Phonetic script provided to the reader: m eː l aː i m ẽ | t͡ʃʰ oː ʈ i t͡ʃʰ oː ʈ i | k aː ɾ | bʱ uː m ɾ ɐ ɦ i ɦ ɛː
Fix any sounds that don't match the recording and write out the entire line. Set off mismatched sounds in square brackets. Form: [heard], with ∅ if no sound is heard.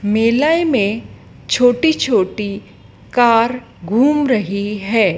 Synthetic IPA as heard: m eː l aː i m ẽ | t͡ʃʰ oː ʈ i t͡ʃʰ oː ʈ i | k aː ɾ | [ɡʱ] uː m ɾ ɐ ɦ i ɦ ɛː